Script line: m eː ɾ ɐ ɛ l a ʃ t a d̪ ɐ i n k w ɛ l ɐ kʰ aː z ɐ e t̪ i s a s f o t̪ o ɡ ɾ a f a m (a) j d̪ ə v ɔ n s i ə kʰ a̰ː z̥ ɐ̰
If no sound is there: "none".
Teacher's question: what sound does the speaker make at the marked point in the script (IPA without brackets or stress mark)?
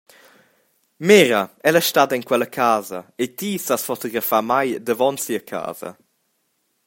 a